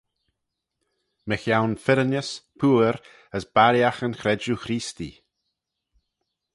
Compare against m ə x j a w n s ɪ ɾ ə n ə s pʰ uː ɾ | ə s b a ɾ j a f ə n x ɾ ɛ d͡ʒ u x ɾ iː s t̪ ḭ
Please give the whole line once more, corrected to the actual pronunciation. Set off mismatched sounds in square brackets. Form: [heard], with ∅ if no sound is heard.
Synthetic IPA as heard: m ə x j a w n [f] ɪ ɾ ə n ə s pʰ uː ɾ | ə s b a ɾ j a [x] ə n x ɾ ɛ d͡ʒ u x ɾ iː s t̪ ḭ